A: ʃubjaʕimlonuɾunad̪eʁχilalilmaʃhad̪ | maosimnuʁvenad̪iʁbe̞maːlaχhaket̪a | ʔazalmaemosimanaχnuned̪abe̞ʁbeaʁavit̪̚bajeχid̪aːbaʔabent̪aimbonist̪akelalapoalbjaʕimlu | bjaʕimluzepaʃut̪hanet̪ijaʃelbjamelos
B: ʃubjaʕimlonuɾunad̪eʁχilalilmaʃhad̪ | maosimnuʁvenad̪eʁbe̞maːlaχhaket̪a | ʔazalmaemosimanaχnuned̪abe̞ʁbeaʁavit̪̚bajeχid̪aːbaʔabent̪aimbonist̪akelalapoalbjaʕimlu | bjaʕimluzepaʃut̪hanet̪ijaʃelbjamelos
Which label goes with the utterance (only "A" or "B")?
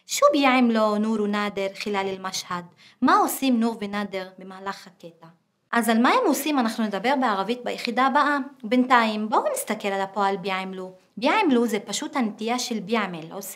B